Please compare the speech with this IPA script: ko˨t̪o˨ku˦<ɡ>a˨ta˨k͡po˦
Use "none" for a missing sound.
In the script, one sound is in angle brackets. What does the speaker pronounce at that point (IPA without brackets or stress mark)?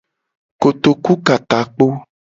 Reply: k